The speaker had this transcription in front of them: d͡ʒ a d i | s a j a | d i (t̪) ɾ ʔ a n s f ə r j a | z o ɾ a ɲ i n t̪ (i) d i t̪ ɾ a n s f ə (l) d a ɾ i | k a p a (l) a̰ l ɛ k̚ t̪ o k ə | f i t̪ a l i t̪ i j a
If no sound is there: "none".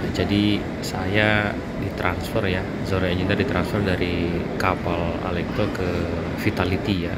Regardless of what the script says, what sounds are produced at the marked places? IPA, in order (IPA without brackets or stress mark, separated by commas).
t̪, a, r, l